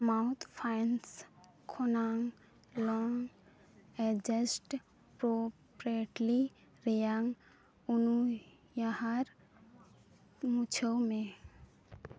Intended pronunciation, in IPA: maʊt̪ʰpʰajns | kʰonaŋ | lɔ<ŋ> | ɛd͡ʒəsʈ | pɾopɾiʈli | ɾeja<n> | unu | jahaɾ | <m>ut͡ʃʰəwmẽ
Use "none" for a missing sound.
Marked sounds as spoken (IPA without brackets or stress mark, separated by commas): ŋ, ŋ, m